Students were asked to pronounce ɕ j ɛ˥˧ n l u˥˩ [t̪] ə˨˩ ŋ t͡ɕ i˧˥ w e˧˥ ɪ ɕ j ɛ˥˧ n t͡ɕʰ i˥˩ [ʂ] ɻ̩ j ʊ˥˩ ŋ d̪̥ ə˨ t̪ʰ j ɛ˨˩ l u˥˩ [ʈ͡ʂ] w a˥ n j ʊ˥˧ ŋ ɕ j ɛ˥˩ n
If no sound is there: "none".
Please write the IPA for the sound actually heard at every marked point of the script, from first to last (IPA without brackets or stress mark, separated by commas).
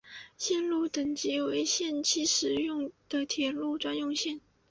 t̪, ʂ, ʈ͡ʂ